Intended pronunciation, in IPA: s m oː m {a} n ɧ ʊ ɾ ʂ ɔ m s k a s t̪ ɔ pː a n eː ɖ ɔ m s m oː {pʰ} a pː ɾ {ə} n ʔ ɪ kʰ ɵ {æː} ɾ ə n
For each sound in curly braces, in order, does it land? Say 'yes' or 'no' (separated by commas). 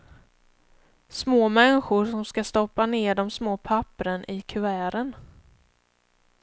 no, yes, yes, yes